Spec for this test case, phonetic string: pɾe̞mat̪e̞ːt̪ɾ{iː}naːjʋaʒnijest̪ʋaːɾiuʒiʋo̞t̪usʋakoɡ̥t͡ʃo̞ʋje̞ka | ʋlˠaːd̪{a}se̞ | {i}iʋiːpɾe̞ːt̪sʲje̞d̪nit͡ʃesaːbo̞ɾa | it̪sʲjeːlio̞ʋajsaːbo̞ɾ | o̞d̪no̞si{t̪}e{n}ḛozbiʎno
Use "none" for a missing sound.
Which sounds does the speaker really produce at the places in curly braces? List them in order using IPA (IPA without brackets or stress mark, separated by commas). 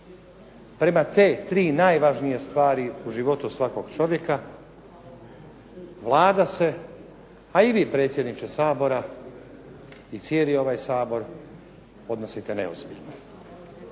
iː, a, a, t̪, n